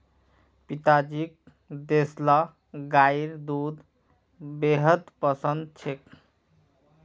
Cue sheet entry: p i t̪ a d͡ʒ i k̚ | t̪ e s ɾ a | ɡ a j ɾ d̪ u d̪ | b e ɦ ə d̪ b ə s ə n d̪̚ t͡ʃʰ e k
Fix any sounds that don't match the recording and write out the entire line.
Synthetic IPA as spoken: p i t̪ a d͡ʒ i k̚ | d̪ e s l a | ɡ a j ɾ d̪ u d̪ | b e ɦ ə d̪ p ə s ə n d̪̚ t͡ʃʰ e k